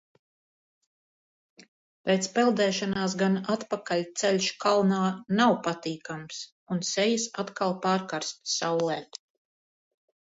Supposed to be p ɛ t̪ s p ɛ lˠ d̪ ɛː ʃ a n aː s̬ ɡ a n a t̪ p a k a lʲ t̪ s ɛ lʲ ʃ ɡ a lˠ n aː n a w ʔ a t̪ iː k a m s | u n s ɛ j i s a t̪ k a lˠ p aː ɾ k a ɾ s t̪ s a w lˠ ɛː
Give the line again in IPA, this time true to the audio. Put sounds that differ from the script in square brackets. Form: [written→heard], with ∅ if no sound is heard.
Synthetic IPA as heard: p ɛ t̪ s p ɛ lˠ d̪ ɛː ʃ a n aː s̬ ɡ a n a t̪ p a k a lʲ t̪ s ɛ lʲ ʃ [ɡ→k] a lˠ n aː n a w [ʔ→p] a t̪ iː k a m s | u n s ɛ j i s a t̪ k a lˠ p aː ɾ k a ɾ s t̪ s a w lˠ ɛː